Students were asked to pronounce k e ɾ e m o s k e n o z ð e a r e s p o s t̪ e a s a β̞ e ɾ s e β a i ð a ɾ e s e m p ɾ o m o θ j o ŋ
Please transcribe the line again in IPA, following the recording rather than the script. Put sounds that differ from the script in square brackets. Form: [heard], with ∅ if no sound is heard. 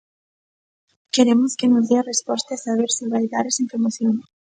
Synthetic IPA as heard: k e ɾ e m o s k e n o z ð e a r e s p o s t̪ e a s a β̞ e ɾ s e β a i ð a ɾ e s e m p ɾ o m o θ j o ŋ